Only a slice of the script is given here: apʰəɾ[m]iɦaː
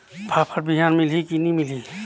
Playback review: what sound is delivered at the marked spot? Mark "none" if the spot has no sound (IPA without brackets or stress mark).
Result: b